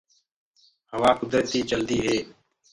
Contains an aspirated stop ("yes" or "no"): no